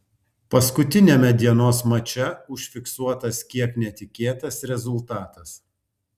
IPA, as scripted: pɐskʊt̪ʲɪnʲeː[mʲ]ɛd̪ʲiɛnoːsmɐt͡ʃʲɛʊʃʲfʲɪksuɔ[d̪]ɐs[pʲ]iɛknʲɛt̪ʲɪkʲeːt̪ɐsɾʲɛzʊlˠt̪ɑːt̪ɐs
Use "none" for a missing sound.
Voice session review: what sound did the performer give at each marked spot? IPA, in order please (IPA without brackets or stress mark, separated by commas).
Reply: mʲ, t̪, kʲ